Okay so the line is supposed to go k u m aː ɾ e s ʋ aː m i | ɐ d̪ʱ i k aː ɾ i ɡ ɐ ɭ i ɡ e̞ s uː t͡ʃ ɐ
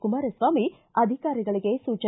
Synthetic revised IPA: k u m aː ɾ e s ʋ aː m i | ɐ d̪ʱ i k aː ɾ i ɡ ɐ ɭ i ɡ e̞ s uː t͡ʃ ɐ